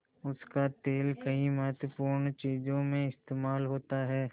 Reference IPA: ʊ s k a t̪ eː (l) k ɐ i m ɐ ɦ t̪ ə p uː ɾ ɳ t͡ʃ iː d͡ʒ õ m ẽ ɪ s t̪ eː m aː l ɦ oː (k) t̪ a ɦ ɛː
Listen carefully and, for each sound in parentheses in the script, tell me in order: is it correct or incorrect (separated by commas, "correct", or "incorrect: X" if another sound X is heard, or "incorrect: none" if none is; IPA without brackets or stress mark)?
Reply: correct, incorrect: none